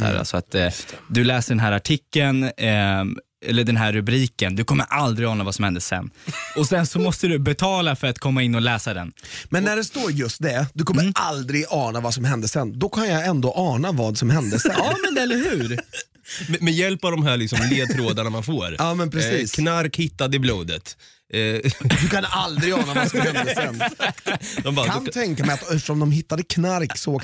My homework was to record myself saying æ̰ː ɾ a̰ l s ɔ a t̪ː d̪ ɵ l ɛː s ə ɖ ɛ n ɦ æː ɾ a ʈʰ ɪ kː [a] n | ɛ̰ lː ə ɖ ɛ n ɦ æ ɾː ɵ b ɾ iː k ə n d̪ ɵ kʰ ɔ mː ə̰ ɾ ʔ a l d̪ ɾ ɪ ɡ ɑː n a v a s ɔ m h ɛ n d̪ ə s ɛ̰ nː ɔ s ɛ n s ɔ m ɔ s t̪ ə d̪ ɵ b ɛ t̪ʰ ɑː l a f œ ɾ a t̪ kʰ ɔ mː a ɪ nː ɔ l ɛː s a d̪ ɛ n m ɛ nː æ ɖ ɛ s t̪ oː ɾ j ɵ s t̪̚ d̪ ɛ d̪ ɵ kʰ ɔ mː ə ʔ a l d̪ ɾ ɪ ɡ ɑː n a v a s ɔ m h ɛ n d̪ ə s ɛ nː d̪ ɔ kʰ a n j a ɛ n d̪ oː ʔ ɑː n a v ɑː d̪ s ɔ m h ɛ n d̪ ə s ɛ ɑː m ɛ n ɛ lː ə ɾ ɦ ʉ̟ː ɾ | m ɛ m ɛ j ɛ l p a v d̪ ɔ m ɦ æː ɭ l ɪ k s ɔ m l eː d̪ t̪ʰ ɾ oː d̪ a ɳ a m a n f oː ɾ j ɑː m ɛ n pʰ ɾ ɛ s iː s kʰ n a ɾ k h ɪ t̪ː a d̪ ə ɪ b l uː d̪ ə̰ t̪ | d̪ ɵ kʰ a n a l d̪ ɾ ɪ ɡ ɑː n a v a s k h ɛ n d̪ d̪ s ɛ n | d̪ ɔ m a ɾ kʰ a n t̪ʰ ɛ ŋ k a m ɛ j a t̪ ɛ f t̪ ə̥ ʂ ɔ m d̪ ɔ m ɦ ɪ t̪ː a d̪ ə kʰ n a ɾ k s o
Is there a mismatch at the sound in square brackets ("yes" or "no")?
yes